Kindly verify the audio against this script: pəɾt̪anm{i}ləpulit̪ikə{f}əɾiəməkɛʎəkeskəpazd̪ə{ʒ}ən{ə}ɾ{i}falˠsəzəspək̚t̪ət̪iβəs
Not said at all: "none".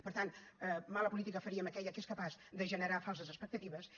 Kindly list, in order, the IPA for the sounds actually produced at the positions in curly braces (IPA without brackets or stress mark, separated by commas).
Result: a, f, ʒ, ə, a